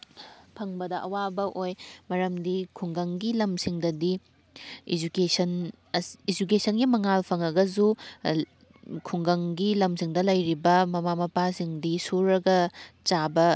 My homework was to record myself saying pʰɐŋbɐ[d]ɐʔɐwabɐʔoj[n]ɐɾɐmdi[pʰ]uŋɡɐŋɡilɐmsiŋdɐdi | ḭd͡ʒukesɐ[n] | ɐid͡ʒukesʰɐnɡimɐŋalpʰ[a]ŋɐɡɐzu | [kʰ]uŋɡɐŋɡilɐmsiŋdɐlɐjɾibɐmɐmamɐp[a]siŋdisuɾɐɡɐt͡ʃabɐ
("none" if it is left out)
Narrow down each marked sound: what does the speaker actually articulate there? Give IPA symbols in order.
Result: d, m, kʰ, n, ɐ, kʰ, a

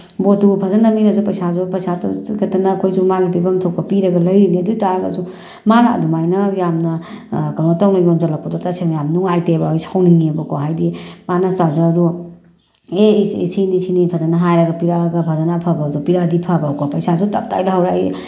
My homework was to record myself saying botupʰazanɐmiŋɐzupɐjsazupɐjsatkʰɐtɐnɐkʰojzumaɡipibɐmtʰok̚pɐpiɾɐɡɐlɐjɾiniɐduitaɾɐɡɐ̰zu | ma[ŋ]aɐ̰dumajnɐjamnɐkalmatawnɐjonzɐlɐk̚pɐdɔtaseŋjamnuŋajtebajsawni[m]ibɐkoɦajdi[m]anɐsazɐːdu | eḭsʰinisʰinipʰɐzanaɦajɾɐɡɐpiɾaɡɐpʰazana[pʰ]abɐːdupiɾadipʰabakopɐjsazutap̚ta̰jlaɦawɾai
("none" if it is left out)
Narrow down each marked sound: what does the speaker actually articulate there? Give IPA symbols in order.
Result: n, ŋ, m, pʰ

